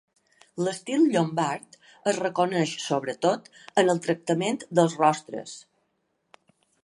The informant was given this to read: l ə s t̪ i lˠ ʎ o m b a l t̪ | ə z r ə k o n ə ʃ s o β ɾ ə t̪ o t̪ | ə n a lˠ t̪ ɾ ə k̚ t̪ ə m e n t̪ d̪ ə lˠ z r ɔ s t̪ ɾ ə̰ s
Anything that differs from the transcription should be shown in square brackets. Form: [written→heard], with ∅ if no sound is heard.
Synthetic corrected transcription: l ə s t̪ i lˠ ʎ o m b a [l→ɾ] t̪ | ə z r ə k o n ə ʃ s o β ɾ ə t̪ o t̪ | ə n [a→ə] lˠ t̪ ɾ ə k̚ t̪ ə m e n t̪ d̪ ə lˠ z r ɔ s t̪ ɾ ə̰ s

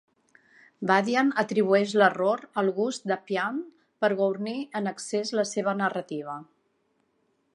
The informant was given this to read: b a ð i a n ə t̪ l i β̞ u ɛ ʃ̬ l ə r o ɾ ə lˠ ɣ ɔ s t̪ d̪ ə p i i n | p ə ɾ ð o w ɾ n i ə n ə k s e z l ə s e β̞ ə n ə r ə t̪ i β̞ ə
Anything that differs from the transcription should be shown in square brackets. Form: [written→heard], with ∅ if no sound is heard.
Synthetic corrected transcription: b a ð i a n ə t̪ [l→ɾ] i β̞ u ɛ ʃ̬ l ə r o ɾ ə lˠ ɣ [ɔ→u] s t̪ d̪ ə p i [i→a] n | p ə ɾ [ð→ɣ] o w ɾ n i ə n ə k s e z l ə s e β̞ ə n ə r ə t̪ i β̞ ə

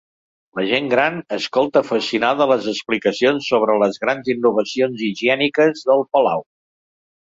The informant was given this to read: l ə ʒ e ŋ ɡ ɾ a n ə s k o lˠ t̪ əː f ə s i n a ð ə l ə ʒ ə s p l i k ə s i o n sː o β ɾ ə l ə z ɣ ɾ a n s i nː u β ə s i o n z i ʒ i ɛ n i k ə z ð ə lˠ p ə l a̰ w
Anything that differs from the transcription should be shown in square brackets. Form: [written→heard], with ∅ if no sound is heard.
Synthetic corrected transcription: l ə ʒ e ŋ ɡ ɾ a n ə s k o lˠ t̪ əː f ə s i n a ð ə l ə [ʒ→z] ə s p l i k ə s i o n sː o β ɾ ə l ə z ɣ ɾ a n [s→z] i nː u β ə s i o n z i ʒ i ɛ n i k ə z ð ə lˠ p ə l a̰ w

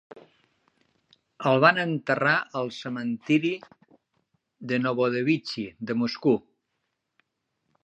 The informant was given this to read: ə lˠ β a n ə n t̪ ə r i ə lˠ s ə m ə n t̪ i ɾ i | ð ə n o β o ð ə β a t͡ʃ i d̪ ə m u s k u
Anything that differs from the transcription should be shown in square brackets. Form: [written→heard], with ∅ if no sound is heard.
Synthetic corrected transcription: ə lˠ β a n ə n t̪ ə r [i→a] ə lˠ s ə m ə n t̪ i ɾ i | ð ə n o β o ð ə β [a→i] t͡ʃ i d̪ ə m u s k u

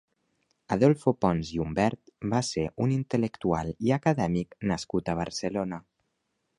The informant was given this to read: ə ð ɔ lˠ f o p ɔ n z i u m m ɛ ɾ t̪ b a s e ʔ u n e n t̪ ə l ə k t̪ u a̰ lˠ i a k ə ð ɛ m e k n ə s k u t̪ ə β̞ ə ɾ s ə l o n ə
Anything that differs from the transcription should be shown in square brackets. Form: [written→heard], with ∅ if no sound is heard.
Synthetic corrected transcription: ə ð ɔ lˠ f o p ɔ n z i u m [m→b] ɛ ɾ t̪ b a s e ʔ u n [e→i] n t̪ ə l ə k t̪ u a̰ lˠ i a k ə ð ɛ m [e→i] k n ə s k u t̪ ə β̞ ə ɾ s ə l o n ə

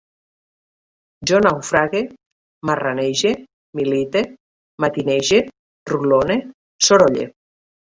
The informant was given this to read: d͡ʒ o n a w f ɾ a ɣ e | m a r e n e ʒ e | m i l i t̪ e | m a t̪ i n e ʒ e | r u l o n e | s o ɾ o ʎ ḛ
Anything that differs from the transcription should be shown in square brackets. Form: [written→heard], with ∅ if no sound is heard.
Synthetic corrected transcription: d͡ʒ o n a w f ɾ a ɣ e | m a r [e→a] n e ʒ e | m i l i t̪ e | m a t̪ i n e ʒ e | r u l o n e | s o ɾ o ʎ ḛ

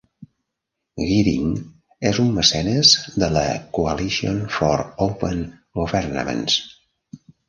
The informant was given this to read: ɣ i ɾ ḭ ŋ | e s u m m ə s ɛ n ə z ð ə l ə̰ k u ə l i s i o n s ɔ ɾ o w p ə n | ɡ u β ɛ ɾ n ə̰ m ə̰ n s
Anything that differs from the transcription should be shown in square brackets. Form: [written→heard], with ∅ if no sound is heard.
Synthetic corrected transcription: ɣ i ɾ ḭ ŋ | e [s→z] u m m ə s ɛ n ə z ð ə l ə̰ k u ə l i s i o n [s→f] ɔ ɾ o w p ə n | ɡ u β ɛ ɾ n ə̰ m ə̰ n s

